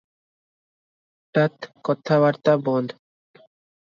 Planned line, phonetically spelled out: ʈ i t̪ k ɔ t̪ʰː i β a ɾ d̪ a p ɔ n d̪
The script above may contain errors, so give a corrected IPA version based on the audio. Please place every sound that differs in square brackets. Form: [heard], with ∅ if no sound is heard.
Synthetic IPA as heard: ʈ [a] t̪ k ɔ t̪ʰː [a] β a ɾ [t̪] a [b] ɔ n d̪